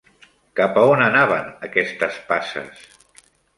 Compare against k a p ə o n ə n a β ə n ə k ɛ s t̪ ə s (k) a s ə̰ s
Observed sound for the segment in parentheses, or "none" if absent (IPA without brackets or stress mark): p